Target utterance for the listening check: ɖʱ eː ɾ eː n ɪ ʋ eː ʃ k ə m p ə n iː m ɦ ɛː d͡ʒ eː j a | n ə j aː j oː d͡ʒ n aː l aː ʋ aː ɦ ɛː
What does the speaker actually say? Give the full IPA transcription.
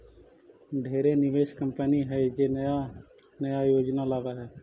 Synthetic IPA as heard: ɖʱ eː ɾ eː n ɪ ʋ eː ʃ k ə m p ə n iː ɦ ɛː d͡ʒ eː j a | n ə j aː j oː d͡ʒ n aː l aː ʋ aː ɦ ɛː